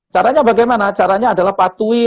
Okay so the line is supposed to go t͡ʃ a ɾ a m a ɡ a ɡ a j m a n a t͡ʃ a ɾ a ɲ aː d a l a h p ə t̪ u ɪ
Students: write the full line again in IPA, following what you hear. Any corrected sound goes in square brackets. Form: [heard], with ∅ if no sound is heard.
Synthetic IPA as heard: t͡ʃ a ɾ a [ɲ] a [b] a ɡ a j m a n a t͡ʃ a ɾ a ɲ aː d a l a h p [a] t̪ u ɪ